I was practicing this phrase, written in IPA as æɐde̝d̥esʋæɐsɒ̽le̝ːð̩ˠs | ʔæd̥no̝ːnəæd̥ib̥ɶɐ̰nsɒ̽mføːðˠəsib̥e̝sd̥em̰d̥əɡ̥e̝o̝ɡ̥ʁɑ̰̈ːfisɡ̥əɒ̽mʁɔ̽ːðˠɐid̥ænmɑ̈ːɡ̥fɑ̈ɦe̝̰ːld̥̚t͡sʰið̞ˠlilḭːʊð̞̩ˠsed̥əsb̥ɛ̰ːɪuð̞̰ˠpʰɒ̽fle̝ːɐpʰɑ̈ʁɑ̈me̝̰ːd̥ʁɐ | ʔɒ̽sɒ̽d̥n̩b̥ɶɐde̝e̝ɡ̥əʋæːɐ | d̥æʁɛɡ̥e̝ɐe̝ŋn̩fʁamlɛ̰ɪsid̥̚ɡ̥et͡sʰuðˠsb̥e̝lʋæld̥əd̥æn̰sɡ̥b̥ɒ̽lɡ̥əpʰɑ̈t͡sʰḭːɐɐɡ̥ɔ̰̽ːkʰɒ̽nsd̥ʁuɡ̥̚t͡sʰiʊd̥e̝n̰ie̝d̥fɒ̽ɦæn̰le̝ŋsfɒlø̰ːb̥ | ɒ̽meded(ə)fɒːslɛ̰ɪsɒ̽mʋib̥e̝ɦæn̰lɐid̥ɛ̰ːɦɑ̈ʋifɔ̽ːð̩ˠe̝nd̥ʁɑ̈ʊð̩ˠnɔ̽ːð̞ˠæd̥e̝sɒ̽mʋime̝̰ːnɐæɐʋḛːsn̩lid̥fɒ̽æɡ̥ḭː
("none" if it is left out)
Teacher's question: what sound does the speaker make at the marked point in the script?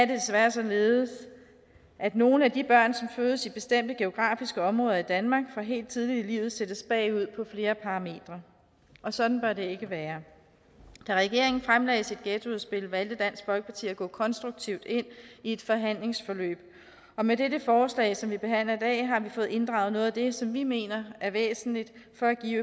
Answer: ə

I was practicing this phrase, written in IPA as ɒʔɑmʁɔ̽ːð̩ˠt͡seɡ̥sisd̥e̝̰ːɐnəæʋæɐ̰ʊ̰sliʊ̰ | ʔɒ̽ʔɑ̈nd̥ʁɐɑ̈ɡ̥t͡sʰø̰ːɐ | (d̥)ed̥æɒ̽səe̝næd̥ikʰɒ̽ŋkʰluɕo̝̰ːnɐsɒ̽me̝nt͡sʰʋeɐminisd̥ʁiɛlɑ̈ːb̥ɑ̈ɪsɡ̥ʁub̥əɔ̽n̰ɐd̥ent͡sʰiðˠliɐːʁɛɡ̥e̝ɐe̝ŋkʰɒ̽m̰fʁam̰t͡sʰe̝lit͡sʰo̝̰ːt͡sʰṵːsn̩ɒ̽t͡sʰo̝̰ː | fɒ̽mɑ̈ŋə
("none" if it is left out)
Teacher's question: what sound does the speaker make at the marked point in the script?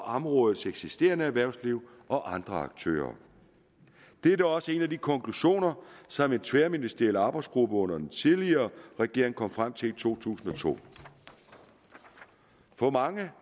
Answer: d̥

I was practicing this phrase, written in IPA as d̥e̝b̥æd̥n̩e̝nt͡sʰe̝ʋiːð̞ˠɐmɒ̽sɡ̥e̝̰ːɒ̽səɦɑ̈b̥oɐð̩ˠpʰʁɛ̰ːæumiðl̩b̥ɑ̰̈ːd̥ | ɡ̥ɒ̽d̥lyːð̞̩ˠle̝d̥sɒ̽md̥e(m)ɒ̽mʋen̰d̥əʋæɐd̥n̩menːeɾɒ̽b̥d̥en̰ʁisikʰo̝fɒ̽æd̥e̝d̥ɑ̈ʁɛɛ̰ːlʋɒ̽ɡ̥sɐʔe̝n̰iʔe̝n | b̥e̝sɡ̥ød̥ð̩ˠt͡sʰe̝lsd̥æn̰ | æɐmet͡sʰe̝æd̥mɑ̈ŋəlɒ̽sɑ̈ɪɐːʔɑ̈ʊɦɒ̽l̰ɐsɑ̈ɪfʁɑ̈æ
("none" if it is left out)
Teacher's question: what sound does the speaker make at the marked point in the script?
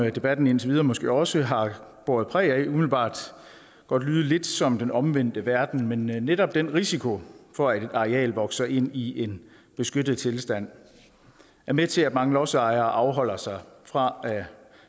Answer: n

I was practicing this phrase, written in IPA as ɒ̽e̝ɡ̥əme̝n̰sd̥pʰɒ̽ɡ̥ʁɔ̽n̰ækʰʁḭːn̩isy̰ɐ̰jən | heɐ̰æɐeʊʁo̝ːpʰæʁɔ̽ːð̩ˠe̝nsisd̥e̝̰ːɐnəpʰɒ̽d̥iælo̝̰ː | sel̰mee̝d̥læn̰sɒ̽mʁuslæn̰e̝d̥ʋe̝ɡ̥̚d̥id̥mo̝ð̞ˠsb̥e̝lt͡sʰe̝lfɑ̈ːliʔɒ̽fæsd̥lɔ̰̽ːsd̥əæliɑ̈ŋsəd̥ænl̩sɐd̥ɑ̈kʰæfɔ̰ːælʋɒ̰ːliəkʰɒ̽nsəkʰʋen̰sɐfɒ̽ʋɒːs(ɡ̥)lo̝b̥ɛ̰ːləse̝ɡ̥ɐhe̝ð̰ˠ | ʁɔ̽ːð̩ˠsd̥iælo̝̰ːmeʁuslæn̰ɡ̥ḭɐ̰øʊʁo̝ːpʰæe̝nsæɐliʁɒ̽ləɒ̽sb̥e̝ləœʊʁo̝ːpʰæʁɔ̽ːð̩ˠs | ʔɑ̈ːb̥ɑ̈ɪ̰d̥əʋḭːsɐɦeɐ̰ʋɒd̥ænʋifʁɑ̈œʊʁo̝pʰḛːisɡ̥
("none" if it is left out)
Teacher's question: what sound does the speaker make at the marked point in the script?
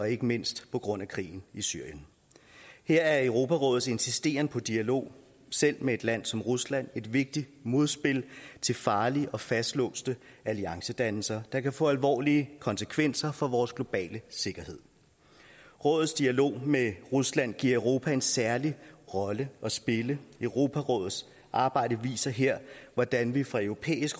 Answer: ɡ̥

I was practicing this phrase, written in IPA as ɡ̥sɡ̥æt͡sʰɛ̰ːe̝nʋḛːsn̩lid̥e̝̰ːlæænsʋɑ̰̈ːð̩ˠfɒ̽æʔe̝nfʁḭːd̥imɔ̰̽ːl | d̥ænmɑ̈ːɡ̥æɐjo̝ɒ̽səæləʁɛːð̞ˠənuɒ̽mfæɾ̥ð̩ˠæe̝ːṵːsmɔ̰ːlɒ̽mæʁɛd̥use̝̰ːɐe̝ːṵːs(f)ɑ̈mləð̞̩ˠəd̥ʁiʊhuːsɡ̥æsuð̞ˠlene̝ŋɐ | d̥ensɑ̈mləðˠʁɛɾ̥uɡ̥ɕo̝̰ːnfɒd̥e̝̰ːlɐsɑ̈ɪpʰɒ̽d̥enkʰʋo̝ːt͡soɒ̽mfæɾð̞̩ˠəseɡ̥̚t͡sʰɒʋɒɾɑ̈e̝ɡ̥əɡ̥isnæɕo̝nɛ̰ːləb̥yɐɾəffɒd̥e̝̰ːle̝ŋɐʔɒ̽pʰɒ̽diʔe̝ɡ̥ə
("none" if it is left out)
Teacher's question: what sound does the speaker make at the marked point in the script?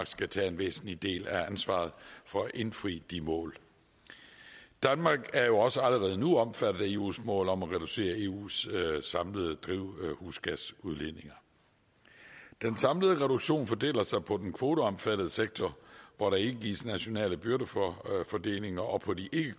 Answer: s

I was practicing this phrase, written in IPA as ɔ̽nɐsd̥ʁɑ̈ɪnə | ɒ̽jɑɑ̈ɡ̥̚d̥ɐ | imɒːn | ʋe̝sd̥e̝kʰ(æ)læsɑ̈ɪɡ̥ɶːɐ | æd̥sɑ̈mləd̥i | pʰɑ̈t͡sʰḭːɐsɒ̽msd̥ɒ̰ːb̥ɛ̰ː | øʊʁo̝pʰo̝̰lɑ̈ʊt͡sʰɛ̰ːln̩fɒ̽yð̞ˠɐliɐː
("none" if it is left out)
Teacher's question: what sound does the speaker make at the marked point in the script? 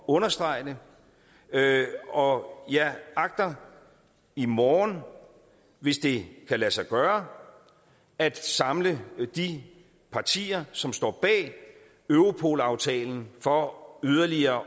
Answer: æ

